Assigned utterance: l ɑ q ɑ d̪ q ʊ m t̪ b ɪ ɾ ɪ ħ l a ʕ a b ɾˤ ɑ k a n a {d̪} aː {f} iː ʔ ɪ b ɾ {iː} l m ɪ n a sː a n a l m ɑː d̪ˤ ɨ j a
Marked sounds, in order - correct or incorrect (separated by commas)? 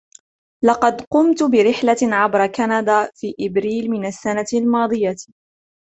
correct, correct, correct